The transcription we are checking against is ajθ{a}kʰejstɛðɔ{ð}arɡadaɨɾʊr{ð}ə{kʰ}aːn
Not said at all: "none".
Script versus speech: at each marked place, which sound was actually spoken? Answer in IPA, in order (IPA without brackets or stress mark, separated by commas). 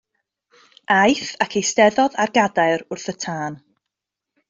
a, ð, θ, tʰ